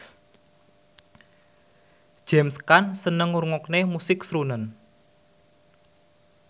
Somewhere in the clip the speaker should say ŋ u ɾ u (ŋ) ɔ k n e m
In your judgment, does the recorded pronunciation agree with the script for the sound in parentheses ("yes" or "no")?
yes